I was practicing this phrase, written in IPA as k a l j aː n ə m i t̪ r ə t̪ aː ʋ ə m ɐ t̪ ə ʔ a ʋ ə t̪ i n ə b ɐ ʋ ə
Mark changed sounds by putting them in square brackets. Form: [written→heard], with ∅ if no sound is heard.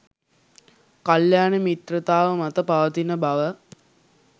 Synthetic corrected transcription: k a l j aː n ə m i t̪ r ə t̪ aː ʋ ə m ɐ t̪ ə [ʔ→p] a ʋ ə t̪ i n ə b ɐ ʋ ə